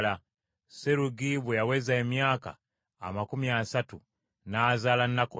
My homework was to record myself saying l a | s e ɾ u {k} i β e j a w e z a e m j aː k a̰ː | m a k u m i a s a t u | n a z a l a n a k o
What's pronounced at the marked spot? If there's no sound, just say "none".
ɡ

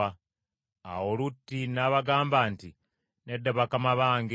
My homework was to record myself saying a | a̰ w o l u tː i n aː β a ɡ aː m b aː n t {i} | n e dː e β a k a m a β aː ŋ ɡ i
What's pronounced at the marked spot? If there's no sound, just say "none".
i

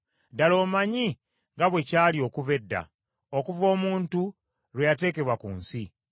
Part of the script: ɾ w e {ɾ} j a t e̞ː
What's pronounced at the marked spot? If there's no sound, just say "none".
none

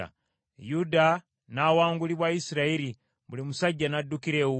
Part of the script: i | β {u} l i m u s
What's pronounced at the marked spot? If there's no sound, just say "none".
u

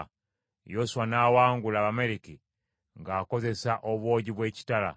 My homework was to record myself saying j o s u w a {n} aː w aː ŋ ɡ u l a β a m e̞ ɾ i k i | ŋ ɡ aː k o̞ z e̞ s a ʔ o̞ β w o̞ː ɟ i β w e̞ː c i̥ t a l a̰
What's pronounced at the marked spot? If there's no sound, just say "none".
n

